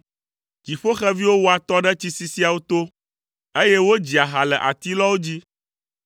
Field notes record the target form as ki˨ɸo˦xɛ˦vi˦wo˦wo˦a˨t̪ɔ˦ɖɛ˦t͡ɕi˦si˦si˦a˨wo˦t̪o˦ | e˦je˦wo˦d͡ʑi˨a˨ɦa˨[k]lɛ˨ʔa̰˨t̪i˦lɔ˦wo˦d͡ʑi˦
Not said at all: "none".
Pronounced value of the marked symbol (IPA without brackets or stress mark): none